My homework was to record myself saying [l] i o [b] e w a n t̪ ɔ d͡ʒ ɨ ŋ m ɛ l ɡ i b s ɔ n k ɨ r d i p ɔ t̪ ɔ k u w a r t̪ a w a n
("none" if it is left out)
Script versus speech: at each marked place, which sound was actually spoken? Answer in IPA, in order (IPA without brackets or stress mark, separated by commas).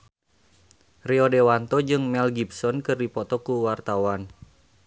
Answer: r, d